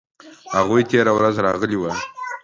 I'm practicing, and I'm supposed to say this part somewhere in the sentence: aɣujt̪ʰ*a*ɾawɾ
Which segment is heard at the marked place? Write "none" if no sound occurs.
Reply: e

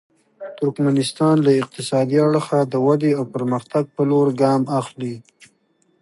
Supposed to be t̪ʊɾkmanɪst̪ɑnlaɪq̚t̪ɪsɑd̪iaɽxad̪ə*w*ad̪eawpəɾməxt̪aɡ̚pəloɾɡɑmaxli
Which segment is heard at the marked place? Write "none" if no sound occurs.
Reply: w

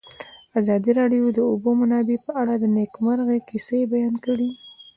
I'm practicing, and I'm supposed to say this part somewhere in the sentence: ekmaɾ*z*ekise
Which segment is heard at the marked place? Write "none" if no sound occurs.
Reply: ɣ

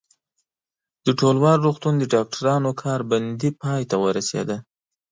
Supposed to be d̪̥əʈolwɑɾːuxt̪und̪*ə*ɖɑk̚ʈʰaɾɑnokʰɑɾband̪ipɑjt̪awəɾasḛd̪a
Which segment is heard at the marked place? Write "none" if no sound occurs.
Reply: ə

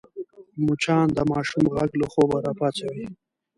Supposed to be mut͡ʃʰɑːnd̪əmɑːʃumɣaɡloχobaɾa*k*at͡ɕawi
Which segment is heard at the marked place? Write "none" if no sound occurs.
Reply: p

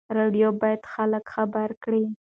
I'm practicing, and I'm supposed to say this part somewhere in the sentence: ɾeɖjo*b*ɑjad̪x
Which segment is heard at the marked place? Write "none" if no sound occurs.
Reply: b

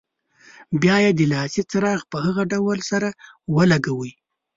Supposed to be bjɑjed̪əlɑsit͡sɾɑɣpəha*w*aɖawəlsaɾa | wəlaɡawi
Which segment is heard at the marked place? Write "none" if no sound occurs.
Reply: ɣ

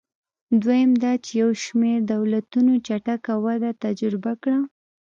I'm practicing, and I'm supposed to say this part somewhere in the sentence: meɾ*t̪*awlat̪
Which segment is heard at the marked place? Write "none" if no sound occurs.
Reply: d̪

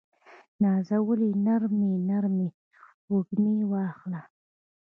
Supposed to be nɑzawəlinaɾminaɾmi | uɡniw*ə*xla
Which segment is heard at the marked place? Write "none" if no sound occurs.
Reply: ɑ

